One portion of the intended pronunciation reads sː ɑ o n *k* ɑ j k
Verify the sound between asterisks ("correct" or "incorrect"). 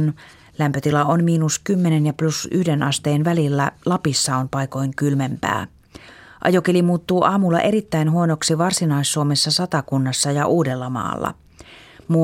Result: incorrect